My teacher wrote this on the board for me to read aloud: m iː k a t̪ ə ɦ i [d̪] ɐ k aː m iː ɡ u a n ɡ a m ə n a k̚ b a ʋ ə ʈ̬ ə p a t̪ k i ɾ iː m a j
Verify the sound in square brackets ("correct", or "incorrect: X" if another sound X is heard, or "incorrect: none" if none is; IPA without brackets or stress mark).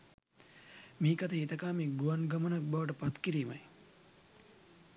incorrect: t̪